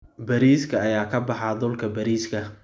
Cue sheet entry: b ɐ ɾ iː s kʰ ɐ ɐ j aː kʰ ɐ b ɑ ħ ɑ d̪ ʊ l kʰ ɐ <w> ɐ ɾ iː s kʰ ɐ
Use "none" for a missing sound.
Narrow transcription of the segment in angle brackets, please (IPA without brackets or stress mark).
b